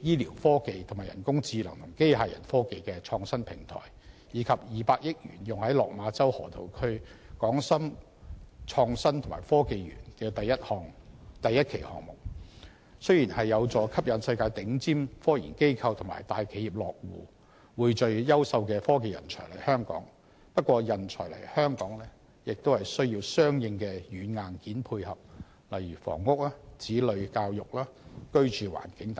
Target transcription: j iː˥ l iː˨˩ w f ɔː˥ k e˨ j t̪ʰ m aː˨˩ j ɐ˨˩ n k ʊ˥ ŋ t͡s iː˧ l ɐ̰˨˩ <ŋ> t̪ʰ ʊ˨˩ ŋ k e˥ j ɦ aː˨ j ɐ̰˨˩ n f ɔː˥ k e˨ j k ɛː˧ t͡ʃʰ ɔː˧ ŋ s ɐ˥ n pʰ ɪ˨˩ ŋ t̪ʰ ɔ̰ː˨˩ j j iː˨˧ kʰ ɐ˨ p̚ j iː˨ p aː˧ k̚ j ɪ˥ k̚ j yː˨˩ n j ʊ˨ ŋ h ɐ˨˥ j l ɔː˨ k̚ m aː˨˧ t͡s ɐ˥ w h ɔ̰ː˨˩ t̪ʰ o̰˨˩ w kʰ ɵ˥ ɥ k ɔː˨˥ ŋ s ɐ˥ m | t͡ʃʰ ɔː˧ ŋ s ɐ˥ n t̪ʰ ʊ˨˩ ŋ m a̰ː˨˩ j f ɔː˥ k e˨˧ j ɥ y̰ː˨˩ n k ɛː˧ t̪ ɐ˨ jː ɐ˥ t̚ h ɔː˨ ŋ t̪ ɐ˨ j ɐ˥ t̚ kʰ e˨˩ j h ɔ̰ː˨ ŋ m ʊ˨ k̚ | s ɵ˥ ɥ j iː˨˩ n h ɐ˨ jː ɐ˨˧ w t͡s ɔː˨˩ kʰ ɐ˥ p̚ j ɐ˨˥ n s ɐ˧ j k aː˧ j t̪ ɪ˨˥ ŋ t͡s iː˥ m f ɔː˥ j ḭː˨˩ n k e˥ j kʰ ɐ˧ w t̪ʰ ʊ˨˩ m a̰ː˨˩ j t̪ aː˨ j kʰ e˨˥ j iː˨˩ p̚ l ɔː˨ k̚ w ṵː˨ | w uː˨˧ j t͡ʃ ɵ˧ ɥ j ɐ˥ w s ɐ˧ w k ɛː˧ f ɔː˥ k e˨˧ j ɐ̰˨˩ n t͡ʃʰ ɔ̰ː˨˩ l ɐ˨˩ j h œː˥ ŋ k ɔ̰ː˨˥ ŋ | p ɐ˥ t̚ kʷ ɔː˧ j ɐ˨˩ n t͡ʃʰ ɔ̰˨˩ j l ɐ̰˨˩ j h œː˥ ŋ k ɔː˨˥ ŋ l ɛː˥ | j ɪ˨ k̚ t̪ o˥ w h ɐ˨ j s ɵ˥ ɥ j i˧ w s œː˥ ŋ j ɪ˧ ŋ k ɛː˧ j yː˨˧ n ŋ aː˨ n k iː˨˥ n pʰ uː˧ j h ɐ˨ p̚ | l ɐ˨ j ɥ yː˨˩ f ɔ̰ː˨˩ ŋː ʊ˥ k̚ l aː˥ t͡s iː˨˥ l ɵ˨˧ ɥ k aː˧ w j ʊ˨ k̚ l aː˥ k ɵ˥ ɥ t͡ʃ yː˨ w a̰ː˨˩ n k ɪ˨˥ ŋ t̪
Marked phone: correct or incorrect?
correct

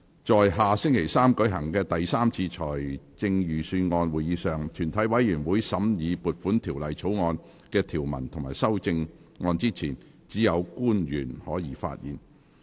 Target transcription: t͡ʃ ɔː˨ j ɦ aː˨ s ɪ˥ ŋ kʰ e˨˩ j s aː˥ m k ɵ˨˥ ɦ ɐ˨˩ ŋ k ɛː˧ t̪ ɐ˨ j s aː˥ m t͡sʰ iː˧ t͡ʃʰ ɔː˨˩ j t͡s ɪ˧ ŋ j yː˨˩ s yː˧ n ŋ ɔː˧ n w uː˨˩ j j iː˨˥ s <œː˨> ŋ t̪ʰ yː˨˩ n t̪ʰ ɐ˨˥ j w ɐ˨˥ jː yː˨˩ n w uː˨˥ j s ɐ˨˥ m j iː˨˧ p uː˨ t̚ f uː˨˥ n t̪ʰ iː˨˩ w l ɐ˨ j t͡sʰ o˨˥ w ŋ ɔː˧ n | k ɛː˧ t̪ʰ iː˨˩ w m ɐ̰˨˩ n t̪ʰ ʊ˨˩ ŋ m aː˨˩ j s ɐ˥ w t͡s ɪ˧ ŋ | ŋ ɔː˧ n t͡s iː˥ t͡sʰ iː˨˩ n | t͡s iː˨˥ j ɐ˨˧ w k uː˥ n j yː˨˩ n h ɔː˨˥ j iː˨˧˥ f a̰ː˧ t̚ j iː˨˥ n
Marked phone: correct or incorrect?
correct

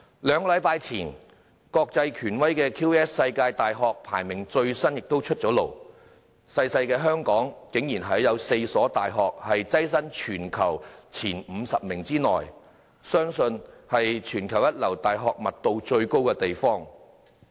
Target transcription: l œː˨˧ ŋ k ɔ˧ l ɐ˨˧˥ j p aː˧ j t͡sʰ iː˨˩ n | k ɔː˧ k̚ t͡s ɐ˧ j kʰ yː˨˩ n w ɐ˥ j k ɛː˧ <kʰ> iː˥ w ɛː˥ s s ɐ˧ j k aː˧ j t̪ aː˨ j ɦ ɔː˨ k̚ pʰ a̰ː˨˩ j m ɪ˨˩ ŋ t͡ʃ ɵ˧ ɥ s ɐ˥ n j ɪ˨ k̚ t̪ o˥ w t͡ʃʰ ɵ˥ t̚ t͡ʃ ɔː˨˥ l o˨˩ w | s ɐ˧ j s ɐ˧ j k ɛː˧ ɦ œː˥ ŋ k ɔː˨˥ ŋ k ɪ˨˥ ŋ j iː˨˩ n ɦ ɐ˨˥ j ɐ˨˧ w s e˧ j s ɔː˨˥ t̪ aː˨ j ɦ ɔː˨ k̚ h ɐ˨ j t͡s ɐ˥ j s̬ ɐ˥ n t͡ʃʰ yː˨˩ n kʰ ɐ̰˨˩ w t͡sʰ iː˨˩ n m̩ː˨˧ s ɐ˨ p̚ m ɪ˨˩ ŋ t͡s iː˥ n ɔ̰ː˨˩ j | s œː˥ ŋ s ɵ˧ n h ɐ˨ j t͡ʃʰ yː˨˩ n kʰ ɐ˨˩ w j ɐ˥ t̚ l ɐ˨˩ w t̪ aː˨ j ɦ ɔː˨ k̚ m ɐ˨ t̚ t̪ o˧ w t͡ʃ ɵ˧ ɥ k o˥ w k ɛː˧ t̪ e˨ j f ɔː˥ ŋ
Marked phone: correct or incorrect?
correct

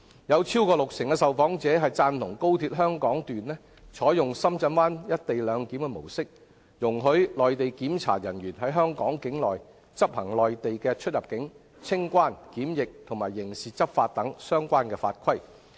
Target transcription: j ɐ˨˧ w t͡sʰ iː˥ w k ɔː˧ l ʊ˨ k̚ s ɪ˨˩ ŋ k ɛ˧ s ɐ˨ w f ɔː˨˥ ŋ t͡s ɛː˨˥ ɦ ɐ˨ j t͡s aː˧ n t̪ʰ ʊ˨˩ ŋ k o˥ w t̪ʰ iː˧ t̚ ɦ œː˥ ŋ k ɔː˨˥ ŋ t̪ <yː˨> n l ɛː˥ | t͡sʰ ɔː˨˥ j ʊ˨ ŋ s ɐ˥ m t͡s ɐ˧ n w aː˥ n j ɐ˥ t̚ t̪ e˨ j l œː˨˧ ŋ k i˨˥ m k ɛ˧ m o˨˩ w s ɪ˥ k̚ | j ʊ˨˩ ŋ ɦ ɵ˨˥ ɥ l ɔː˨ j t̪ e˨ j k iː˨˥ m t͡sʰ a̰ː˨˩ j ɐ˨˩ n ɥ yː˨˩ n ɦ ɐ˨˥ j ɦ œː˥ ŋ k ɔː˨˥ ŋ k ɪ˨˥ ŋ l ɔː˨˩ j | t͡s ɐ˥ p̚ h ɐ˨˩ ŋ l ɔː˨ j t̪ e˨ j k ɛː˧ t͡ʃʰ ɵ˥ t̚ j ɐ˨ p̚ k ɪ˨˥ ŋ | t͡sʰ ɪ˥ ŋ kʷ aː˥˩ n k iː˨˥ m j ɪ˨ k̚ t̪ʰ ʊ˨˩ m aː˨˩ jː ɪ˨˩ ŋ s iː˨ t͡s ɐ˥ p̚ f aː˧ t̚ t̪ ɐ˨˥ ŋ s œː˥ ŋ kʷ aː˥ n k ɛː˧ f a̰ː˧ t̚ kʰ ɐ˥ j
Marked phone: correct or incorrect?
correct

